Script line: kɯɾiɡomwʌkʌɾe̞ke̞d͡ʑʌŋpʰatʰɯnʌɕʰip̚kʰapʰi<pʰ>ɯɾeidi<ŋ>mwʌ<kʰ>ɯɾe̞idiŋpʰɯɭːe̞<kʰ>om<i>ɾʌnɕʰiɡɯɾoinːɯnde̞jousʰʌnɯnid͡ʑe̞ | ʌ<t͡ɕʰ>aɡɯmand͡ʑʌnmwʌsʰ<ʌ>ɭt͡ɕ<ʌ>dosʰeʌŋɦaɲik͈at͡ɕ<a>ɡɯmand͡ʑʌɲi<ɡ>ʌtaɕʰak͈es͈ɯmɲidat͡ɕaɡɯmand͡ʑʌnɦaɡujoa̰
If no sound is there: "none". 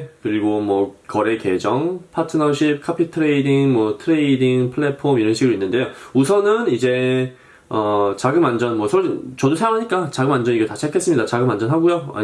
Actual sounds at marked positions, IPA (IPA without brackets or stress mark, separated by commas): tʰ, ŋ, tʰ, pʰ, i, t͡ɕ, ʌ, ʌ, a, ɡ